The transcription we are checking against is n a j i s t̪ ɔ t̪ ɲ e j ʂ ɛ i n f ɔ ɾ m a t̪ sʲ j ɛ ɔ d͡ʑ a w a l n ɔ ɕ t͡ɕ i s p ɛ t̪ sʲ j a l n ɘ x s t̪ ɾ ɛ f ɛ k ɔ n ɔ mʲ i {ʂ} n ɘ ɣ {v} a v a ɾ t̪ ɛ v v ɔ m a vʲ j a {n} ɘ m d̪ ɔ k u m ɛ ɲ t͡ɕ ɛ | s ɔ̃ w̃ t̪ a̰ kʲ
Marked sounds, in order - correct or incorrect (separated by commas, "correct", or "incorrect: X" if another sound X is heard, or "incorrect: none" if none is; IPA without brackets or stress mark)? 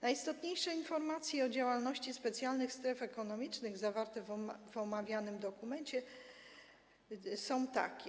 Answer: incorrect: t͡ʂ, incorrect: z, correct